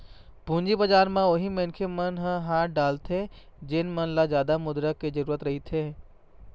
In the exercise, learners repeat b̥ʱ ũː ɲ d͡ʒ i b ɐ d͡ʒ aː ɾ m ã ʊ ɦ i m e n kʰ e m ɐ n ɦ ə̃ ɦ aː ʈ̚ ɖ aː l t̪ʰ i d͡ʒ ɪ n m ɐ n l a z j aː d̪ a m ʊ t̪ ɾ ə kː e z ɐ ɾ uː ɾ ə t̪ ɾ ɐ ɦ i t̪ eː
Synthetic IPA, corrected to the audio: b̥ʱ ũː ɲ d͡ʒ i b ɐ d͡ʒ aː ɾ m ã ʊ ɦ i m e n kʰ e m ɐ n ɦ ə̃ ɦ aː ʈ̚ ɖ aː l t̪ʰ e d͡ʒ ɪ n m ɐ n l a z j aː d̪ a m ʊ d̪ ɾ ə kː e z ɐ ɾ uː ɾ ə t̪ ɾ ɐ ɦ i t̪ʰ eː